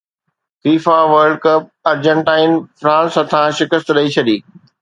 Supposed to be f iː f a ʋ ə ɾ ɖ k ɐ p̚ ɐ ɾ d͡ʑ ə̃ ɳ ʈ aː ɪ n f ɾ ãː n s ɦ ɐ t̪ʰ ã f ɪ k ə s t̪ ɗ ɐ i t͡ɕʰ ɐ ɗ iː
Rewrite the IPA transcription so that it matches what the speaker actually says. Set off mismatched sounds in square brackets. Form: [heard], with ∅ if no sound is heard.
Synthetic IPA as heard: f iː f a ʋ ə ɾ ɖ k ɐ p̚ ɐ ɾ d͡ʑ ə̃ ɳ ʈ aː ɪ n f ɾ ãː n s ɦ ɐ t̪ʰ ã [ʃ] ɪ k ə s t̪ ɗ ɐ i t͡ɕʰ ɐ ɗ iː